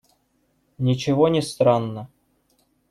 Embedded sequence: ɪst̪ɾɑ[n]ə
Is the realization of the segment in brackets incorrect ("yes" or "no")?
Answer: yes